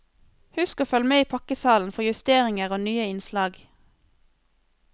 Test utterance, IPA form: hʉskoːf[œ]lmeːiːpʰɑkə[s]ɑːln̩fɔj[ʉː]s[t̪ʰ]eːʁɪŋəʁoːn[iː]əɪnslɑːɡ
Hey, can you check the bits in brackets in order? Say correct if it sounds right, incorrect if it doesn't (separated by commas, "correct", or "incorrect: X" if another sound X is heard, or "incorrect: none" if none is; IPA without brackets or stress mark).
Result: correct, correct, incorrect: ʉ, incorrect: t̪, incorrect: yː